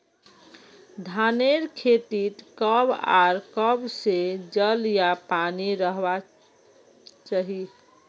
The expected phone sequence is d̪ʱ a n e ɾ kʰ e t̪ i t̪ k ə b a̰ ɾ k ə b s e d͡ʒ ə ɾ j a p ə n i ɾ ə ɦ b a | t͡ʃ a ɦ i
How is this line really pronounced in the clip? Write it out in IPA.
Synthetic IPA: d̪ʱ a n e ɾ kʰ e t̪ i t̪ k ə b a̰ ɾ k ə b s e d͡ʒ ə l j a p a n i ɾ ə ɦ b a | t͡ʃ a ɦ i